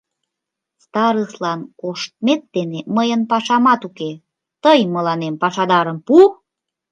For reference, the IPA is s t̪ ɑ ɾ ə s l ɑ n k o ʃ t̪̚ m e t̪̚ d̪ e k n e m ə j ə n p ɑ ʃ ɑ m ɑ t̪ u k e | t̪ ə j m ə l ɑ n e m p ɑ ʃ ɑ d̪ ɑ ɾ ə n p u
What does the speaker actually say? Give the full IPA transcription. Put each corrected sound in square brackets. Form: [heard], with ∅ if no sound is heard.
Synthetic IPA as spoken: s t̪ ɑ ɾ ə s l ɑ n k o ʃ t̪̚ m e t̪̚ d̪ e [∅] n e m ə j ə n p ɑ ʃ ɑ m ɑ t̪ u k e | t̪ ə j m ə l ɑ n e m p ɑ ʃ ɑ d̪ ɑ ɾ ə [m] p u